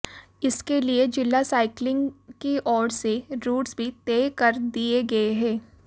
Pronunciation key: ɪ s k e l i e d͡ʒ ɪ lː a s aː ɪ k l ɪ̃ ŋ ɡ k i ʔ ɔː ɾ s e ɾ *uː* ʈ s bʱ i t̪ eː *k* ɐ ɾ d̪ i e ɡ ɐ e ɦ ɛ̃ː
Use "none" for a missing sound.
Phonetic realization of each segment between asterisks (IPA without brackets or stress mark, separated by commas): uː, k